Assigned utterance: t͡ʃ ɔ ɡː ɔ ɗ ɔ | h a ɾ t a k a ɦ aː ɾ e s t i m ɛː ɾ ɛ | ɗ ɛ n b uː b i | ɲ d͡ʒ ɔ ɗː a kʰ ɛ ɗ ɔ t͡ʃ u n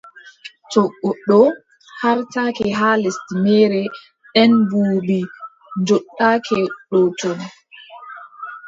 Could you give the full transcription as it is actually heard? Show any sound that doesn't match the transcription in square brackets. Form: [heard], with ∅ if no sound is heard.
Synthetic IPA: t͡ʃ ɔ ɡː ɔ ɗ ɔ | h a ɾ t a k [ɛ] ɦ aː [l] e s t i m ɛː ɾ ɛ | ɗ ɛ n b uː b i | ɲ d͡ʒ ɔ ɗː a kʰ ɛ ɗ ɔ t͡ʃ [ɔ] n